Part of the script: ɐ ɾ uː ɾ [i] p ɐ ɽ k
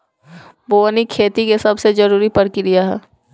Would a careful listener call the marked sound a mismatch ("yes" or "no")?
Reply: no